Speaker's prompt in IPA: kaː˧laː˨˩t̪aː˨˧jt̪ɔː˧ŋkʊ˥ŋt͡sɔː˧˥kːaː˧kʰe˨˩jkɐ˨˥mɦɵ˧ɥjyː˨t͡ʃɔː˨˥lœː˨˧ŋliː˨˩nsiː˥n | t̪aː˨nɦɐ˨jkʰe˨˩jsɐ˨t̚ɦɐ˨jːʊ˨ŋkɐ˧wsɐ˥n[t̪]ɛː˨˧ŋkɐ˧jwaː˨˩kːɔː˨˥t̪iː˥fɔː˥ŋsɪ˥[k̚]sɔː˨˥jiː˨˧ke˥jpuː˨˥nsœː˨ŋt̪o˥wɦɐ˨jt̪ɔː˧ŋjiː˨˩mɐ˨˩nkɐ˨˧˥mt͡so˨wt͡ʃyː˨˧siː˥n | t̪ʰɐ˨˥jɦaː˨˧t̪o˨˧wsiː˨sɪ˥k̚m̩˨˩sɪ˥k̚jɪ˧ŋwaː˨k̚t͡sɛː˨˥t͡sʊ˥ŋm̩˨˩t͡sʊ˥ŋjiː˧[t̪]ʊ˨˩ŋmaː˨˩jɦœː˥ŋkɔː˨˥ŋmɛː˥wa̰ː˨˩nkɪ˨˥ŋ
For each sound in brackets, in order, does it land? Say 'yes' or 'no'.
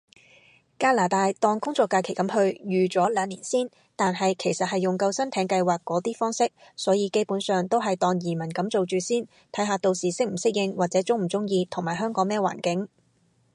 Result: no, yes, no

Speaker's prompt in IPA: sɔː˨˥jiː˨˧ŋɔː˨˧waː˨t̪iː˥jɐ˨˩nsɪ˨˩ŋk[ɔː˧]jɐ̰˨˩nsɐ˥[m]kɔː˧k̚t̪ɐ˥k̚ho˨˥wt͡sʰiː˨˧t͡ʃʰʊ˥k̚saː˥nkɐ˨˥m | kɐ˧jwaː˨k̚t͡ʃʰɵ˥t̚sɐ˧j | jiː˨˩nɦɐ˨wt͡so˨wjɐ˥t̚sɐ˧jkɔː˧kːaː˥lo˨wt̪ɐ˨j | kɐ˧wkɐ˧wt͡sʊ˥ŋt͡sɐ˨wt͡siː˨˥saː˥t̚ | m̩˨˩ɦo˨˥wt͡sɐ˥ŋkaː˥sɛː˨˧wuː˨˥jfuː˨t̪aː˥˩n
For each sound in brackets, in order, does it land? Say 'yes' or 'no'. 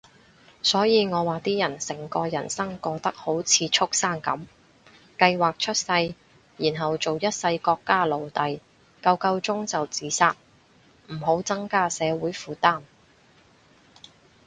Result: yes, no

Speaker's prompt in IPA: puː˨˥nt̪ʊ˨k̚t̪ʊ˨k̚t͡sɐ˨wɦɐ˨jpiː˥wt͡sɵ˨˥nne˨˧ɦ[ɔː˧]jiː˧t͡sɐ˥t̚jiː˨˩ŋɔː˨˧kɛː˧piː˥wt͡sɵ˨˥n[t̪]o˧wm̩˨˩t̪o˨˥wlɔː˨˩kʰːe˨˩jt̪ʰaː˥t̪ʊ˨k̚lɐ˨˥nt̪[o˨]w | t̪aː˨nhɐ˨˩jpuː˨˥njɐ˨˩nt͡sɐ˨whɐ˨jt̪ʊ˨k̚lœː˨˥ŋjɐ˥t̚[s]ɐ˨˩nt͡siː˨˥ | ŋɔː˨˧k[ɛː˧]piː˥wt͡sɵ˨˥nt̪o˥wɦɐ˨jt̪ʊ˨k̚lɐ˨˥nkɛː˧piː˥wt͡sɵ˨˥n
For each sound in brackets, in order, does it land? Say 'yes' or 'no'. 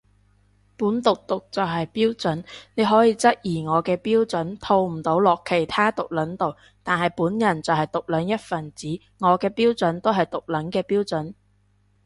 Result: no, no, yes, no, yes

